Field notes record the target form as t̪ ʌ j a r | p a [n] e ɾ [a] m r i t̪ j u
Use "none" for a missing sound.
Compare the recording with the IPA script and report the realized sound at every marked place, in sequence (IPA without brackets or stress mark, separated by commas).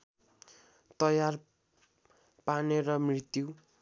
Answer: n, ʌ